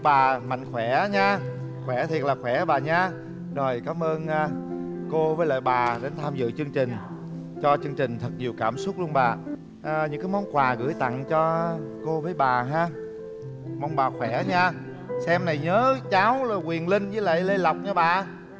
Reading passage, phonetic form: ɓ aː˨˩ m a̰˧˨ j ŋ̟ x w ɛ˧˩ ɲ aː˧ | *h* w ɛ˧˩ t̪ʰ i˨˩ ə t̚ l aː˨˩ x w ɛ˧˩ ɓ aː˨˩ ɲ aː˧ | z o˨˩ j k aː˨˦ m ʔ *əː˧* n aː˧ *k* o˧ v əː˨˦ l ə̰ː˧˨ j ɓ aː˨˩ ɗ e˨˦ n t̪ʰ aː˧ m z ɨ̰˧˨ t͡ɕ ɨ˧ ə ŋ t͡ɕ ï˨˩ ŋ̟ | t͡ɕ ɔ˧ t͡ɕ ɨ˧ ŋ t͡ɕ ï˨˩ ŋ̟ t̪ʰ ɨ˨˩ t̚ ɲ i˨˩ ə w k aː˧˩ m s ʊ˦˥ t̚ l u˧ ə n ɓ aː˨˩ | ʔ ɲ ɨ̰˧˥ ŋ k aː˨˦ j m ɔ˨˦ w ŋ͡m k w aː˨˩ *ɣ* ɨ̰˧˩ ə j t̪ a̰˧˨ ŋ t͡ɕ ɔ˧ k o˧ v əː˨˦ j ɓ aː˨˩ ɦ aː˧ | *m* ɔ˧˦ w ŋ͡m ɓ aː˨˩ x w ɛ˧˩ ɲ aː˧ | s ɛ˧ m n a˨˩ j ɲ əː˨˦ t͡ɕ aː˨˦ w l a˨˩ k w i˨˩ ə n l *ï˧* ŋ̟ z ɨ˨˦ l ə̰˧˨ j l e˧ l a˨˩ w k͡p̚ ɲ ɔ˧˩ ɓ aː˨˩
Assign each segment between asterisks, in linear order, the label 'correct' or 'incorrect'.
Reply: incorrect: x, correct, correct, correct, correct, correct

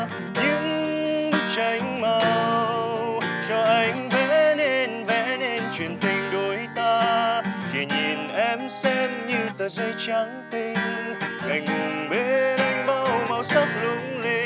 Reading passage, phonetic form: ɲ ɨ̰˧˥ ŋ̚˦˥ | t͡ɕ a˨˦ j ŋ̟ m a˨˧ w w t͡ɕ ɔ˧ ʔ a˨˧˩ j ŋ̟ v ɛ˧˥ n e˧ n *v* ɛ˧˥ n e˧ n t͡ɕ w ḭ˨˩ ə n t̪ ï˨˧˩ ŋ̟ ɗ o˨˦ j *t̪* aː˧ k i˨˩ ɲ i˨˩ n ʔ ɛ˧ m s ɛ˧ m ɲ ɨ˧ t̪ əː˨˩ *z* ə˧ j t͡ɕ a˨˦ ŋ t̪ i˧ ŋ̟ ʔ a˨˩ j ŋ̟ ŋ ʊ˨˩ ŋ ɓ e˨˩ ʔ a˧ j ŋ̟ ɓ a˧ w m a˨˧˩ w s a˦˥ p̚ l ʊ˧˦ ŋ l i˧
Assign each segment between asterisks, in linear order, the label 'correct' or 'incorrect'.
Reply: correct, correct, correct

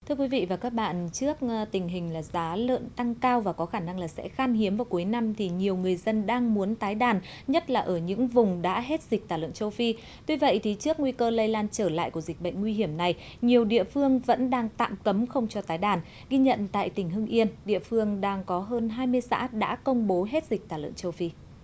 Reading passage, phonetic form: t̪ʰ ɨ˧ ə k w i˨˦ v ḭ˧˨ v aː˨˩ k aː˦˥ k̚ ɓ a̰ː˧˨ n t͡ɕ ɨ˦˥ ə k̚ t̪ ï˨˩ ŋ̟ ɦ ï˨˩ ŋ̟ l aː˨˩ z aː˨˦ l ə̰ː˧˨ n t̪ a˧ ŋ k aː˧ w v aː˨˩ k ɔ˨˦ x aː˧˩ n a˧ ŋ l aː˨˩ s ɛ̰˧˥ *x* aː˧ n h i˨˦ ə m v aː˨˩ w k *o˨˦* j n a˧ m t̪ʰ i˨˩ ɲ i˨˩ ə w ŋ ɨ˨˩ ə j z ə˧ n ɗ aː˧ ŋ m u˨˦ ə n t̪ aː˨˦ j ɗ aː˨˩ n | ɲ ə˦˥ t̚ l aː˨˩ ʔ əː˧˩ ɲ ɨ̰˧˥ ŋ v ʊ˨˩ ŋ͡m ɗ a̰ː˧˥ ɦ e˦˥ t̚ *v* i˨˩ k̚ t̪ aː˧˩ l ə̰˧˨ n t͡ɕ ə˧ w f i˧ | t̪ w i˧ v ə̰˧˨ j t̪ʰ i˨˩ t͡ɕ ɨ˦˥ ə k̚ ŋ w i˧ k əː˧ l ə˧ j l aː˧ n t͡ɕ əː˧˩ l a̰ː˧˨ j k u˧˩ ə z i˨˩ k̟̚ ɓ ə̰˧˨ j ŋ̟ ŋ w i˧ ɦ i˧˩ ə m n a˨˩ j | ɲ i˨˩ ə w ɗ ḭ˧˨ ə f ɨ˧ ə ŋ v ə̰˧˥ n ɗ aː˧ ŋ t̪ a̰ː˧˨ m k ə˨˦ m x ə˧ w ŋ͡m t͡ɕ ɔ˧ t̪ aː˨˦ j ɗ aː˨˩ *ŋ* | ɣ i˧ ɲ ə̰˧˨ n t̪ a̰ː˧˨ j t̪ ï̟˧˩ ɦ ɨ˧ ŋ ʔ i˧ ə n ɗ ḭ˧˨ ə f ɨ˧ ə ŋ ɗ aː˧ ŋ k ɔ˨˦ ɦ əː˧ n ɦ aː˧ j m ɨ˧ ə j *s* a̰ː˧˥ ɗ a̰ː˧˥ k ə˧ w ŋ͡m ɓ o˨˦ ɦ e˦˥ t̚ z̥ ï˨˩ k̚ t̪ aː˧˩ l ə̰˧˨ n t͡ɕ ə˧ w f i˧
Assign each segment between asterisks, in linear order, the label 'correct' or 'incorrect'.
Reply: correct, incorrect: u˨˦, incorrect: z, incorrect: n, correct

